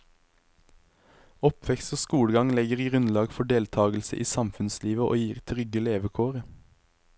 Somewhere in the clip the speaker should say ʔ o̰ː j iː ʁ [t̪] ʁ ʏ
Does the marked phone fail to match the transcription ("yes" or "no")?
yes